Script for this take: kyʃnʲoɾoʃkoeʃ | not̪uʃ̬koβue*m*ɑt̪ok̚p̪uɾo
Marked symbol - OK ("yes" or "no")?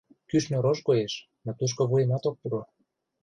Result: yes